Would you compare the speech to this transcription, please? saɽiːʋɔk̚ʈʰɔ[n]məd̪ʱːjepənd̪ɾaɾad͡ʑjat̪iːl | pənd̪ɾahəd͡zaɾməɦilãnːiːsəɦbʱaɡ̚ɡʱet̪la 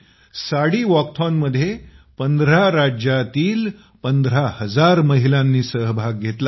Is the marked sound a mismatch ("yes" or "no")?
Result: no